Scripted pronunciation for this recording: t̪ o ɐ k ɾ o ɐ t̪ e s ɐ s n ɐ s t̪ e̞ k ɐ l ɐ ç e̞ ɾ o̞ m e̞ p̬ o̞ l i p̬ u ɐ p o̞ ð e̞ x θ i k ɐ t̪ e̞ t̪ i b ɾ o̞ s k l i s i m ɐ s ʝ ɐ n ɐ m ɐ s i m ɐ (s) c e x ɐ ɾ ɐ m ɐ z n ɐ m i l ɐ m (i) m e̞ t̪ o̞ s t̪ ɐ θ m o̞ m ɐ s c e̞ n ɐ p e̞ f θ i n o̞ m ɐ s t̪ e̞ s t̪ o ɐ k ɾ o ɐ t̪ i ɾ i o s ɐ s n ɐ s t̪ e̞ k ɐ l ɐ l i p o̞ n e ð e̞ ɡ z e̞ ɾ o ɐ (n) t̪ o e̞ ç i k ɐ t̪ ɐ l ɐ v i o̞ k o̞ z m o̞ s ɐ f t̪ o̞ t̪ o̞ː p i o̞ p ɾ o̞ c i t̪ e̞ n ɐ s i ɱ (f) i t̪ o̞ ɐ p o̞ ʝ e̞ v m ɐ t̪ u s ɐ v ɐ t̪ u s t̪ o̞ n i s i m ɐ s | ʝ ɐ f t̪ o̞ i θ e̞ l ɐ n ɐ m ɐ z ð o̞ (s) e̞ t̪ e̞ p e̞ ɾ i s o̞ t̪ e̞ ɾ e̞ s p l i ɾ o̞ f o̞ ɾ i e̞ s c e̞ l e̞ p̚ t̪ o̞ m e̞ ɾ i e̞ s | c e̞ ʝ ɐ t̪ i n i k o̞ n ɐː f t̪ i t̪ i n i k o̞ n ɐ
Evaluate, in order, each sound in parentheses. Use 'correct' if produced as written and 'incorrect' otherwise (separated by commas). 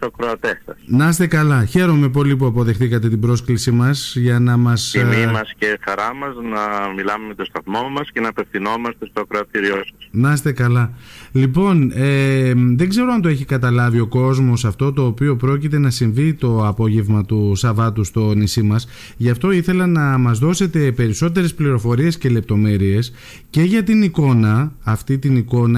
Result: correct, incorrect, correct, incorrect, correct